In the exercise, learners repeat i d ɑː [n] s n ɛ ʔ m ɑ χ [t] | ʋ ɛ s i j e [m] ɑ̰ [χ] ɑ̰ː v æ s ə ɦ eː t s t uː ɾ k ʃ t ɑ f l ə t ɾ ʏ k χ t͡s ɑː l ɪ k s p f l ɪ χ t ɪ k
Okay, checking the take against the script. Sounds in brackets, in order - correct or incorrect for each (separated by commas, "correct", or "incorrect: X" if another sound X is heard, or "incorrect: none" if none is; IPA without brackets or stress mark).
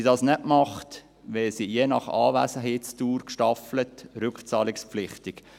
incorrect: none, correct, incorrect: n, correct